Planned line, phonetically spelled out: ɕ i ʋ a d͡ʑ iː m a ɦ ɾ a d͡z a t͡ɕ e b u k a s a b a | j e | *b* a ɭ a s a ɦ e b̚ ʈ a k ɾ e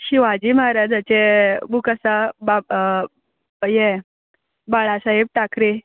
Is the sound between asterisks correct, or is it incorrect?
correct